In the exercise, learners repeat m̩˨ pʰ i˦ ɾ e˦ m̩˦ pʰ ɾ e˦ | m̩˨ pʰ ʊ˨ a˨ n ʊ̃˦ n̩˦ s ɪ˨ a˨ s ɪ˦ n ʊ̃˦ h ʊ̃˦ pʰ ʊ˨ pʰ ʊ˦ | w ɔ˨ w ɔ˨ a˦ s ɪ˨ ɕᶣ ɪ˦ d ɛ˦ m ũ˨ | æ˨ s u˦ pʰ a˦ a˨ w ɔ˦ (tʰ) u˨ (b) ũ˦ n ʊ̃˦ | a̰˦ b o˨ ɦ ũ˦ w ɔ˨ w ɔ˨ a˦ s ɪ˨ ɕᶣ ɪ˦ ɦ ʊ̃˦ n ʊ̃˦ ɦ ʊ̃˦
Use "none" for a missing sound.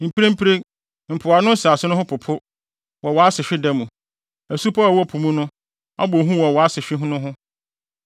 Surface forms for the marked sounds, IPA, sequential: pʰ, m

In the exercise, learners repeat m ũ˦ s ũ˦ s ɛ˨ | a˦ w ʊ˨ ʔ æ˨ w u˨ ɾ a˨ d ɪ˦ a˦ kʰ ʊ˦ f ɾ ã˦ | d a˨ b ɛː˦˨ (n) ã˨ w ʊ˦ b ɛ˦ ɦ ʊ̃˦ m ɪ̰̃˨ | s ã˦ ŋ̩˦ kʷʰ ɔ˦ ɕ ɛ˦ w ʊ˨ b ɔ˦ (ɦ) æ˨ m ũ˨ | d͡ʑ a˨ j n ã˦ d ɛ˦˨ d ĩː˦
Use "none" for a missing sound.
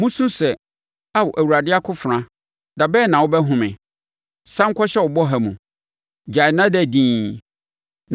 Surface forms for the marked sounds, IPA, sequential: n, ɦ

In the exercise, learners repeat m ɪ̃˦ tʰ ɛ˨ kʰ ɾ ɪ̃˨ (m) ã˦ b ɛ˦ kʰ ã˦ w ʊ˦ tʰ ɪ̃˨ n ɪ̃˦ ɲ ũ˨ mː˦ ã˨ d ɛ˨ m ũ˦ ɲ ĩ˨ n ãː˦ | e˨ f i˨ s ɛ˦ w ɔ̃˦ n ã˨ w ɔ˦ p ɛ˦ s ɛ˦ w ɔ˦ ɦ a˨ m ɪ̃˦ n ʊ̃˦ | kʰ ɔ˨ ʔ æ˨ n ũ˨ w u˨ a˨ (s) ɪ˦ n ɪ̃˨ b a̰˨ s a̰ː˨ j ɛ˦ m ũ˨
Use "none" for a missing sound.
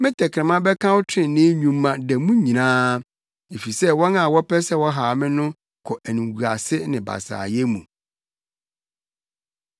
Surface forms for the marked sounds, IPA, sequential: m, s

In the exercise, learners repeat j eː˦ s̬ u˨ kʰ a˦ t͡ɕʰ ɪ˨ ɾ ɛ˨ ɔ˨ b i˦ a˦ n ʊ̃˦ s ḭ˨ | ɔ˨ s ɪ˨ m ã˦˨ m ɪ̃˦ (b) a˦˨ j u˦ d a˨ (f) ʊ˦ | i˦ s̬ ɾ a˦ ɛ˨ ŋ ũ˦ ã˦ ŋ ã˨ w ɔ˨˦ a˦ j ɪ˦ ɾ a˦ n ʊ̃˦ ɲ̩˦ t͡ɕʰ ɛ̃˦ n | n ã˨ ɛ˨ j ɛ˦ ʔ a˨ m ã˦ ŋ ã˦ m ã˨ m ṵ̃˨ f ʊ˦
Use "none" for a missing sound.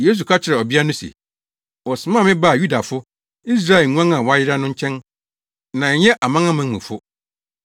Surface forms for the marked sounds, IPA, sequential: b, f

